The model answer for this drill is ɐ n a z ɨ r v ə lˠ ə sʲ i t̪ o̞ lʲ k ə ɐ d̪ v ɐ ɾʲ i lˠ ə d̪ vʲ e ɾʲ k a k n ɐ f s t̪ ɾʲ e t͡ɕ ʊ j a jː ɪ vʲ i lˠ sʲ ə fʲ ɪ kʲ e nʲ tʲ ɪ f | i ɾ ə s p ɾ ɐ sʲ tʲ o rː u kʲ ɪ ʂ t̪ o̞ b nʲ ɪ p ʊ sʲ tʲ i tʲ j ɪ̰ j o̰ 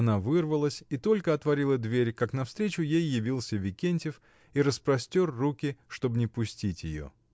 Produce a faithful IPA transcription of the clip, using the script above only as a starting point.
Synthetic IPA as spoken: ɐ n a v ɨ r v ə lˠ ə sʲ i t̪ o̞ lʲ k ə ɐ t̪ v ɐ ɾʲ i lˠ ə d̪ vʲ e ɾʲ k a k n ɐ f s t̪ ɾʲ e t͡ɕ ʊ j e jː ɪ vʲ i lˠ sʲ ə vʲ ɪ kʲ e nʲ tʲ ɪ f | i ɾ ə s p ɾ ɐ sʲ tʲ o rː u kʲ ɪ ʂ t̪ o̞ b nʲ ɪ p ʊ sʲ tʲ i tʲ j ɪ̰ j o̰